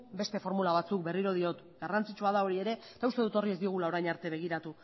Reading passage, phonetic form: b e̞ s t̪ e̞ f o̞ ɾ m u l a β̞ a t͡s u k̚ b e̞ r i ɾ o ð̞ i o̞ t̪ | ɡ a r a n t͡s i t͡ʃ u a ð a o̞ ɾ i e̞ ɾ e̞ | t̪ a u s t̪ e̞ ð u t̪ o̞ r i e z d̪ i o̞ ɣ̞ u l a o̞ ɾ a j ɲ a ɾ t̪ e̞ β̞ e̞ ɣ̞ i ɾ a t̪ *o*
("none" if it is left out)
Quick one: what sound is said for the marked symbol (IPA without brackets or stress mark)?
u